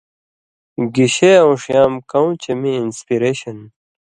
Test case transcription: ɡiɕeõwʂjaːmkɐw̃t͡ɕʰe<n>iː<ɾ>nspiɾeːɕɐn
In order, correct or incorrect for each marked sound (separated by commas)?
incorrect, incorrect